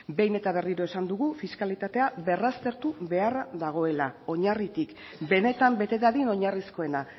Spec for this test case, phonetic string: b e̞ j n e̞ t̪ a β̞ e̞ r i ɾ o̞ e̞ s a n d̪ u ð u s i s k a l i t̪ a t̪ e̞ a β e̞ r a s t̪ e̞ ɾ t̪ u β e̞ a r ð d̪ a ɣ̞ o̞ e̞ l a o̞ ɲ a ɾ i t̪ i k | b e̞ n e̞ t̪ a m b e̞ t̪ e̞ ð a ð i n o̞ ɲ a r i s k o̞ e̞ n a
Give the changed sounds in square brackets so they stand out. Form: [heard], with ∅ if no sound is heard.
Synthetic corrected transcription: b e̞ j n e̞ t̪ a β̞ e̞ r i ɾ o̞ e̞ s a n d̪ u [ɣ] u [f] i s k a l i t̪ a t̪ e̞ a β e̞ r a s t̪ e̞ ɾ t̪ u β e̞ a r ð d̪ a ɣ̞ o̞ e̞ l a o̞ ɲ a [r] i t̪ i k | b e̞ n e̞ t̪ a m b e̞ t̪ e̞ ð a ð i n o̞ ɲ a r i s k o̞ e̞ n a